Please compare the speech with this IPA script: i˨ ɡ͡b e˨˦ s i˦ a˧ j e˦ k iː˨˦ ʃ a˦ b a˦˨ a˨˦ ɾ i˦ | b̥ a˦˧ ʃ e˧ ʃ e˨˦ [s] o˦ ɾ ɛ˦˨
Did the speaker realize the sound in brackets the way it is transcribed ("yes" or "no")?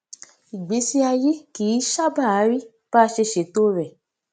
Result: no